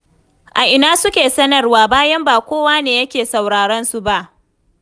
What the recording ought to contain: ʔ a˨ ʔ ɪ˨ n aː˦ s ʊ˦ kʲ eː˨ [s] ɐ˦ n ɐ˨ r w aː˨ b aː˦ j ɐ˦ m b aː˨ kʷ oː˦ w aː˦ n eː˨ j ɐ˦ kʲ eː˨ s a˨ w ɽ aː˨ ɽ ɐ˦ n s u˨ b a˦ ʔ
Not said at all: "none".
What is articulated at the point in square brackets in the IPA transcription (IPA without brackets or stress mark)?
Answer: s